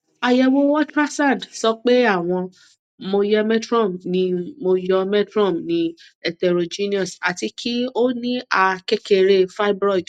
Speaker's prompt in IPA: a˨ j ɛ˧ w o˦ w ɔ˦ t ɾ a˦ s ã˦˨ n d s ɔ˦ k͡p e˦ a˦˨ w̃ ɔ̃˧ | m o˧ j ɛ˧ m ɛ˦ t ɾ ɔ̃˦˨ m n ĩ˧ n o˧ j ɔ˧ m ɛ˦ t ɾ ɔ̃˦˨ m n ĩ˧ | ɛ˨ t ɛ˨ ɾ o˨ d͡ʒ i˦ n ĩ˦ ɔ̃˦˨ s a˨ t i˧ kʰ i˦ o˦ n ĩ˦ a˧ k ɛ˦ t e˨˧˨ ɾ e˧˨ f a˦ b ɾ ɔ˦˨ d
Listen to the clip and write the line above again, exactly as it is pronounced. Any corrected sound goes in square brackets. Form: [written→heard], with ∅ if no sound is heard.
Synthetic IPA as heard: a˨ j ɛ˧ w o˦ w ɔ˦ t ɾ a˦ s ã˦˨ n d s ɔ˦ k͡p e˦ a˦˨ w̃ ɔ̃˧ | m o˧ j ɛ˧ m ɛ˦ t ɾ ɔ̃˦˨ m n ĩ˧ [n→m] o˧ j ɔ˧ m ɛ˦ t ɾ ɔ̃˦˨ m n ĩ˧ | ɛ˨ t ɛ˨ ɾ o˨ d͡ʒ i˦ n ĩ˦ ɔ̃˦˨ s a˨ t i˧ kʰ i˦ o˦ n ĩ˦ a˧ k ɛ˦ [t→k] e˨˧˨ ɾ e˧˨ f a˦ b ɾ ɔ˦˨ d